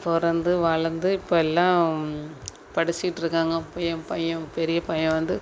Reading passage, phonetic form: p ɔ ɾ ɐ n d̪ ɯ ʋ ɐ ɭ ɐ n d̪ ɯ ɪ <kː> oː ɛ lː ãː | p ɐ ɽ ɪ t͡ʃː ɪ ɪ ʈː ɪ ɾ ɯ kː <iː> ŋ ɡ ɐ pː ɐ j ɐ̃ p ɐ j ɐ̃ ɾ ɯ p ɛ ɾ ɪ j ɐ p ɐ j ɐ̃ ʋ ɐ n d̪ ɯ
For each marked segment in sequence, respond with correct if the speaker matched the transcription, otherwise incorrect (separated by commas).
incorrect, incorrect